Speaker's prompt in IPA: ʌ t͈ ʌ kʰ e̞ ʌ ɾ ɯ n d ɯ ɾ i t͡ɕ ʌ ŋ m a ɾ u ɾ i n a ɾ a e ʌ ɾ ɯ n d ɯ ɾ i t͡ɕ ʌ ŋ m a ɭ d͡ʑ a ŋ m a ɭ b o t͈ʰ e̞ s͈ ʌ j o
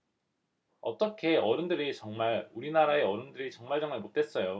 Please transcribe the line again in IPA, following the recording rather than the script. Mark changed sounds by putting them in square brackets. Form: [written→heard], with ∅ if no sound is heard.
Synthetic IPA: ʌ t͈ ʌ kʰ e̞ ʌ ɾ ɯ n d ɯ ɾ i t͡ɕ ʌ ŋ m a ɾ u ɾ i n a ɾ a e ʌ ɾ ɯ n d ɯ ɾ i t͡ɕ ʌ ŋ m a ɭ d͡ʑ [a→ʌ] ŋ m a ɭ [b→m] o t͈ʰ e̞ s͈ ʌ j o